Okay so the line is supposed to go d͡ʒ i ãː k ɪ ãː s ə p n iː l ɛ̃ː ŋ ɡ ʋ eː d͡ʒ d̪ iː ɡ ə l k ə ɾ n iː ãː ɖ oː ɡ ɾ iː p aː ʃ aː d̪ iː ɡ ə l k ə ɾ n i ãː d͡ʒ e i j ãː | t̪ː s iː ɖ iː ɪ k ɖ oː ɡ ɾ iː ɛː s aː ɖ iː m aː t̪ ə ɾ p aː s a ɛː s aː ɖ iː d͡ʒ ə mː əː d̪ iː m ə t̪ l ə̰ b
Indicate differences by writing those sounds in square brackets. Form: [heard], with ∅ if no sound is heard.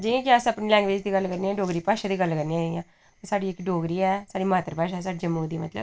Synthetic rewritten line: d͡ʒ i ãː k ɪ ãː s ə p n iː l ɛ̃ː ŋ ɡ ʋ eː d͡ʒ d̪ iː ɡ ə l k ə ɾ n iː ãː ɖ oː ɡ ɾ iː p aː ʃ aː d̪ iː ɡ ə l k ə ɾ n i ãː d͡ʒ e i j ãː | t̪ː s [aː] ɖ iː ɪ k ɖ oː ɡ ɾ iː ɛː s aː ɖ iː m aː t̪ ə ɾ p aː [ʃ] a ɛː s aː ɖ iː d͡ʒ ə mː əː d̪ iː m ə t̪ l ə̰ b